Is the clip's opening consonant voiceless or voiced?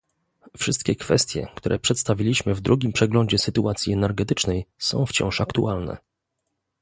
voiceless